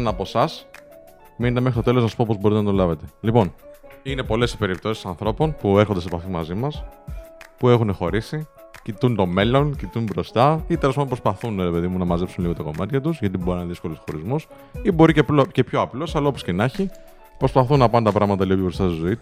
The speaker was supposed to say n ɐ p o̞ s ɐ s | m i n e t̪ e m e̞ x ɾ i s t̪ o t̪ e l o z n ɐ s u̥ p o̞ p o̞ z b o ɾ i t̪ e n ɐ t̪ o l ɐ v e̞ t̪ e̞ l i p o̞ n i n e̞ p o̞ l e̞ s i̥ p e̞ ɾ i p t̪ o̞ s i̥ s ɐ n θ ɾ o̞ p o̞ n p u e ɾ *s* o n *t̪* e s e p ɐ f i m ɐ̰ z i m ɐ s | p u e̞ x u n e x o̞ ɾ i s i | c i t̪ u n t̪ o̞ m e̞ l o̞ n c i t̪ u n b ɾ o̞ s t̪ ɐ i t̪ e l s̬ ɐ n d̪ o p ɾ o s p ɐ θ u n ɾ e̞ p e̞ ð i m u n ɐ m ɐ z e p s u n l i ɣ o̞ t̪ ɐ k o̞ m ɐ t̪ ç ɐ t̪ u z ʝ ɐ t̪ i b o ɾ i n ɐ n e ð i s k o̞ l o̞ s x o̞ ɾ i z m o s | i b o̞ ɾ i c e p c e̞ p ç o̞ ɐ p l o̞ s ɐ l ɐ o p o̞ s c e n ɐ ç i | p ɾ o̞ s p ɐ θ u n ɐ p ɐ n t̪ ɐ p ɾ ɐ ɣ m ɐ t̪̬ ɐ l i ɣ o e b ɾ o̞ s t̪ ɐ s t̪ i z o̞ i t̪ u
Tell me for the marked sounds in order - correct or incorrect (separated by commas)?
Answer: incorrect, incorrect